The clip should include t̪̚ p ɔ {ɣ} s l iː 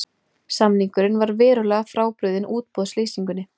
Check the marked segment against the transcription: incorrect: ð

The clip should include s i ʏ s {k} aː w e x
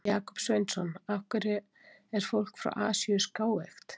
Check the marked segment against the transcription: correct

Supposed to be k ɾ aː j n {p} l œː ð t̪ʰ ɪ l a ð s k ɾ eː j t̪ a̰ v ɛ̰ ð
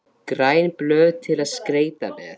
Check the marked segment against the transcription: correct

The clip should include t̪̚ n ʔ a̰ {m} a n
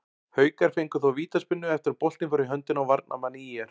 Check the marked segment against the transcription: correct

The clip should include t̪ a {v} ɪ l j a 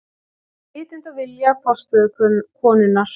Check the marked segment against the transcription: correct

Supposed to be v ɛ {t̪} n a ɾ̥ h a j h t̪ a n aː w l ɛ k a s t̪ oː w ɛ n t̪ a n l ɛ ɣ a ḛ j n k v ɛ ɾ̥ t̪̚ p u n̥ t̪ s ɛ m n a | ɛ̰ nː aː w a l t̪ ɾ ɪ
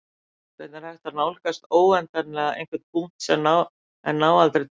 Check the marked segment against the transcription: correct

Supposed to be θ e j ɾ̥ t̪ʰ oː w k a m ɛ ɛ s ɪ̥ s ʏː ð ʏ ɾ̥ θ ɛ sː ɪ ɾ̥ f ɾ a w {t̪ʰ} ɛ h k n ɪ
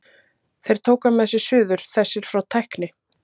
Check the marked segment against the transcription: correct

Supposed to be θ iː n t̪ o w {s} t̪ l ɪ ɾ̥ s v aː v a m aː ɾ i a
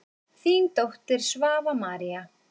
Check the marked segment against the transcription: incorrect: h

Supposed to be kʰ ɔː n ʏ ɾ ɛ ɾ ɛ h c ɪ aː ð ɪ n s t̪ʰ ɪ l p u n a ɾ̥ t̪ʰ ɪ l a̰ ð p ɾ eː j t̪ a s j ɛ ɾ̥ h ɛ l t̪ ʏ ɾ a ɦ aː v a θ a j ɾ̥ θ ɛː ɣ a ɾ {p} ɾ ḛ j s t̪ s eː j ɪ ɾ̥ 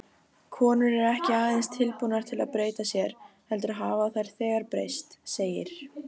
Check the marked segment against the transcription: correct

